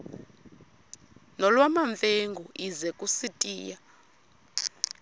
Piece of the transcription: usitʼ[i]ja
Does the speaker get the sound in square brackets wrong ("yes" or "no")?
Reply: yes